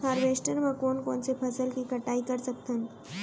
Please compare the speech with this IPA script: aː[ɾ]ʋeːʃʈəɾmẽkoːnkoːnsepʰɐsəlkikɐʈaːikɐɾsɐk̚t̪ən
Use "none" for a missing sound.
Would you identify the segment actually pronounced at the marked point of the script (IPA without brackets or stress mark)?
ɾ